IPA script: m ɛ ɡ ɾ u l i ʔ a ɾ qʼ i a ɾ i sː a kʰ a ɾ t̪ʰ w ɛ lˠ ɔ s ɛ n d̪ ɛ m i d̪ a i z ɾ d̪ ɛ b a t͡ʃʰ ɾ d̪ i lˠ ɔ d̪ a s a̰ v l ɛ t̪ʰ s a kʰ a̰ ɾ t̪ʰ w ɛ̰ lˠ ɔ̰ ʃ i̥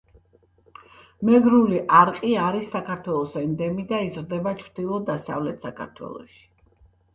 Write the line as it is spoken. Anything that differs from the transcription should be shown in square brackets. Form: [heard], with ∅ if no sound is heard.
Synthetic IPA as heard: m ɛ ɡ ɾ u l i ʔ a ɾ qʼ i a ɾ i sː a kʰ a ɾ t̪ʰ w ɛ lˠ ɔ s ɛ n d̪ ɛ m i d̪ a i z ɾ d̪ ɛ b a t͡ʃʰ ɾ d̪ i lˠ ɔ d̪ a s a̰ v l ɛ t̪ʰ s a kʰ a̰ ɾ t̪ʰ w ɛ̰ lˠ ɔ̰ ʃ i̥